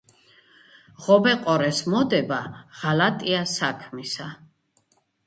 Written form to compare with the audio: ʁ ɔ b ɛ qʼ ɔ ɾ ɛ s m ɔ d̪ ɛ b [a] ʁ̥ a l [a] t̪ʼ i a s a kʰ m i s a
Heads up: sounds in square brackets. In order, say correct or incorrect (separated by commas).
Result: correct, correct